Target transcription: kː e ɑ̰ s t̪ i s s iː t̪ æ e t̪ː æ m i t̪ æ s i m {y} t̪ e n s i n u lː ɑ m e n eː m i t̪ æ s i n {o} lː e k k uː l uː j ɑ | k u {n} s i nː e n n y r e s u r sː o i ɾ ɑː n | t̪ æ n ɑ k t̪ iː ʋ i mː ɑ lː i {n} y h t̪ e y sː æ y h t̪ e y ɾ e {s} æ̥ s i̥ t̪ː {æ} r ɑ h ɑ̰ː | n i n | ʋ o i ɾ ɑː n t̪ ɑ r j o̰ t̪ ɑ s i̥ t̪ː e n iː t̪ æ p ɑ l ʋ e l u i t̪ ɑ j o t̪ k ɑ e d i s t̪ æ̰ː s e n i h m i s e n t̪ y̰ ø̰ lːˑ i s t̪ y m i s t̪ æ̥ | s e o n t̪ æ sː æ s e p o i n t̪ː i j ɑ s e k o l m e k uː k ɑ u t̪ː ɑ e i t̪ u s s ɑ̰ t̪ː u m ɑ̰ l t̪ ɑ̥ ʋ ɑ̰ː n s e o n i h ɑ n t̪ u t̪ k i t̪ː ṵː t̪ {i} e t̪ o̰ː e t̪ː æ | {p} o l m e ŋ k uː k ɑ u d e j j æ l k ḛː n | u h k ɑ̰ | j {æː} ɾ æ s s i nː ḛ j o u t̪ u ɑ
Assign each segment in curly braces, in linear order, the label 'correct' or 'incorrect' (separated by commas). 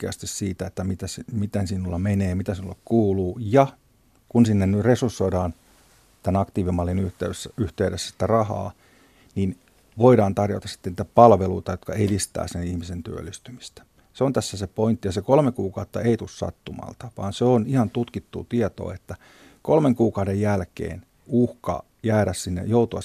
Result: incorrect, incorrect, correct, correct, incorrect, correct, correct, incorrect, correct